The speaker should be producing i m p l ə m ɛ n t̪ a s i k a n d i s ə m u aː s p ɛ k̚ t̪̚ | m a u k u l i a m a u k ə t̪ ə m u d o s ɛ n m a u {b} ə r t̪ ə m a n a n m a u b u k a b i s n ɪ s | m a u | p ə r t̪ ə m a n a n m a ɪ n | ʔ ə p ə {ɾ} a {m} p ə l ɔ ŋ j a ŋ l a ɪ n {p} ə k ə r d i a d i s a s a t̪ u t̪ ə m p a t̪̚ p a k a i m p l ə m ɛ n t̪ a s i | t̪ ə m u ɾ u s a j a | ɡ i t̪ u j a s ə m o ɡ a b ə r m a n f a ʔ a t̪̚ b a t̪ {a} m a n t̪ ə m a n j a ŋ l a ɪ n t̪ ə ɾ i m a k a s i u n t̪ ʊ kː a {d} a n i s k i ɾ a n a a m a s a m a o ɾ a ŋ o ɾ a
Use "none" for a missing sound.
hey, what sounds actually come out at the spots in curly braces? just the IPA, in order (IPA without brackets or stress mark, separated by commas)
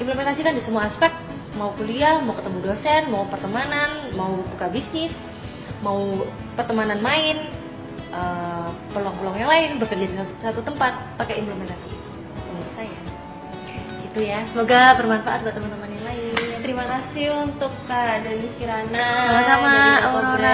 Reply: p, l, ŋ, b, ə, d